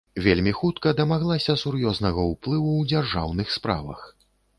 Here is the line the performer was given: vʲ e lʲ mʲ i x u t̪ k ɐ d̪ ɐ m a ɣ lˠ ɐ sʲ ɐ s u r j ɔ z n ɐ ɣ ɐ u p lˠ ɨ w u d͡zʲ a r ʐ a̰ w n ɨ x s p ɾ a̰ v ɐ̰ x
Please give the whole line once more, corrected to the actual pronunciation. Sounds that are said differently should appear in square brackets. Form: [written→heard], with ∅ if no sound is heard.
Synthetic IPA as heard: vʲ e lʲ mʲ i x u t̪ k ɐ d̪ ɐ m a ɣ lˠ [ɐ→a] sʲ ɐ s u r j ɔ z n ɐ ɣ ɐ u p lˠ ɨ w u d͡zʲ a r ʐ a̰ w n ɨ x s p ɾ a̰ v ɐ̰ x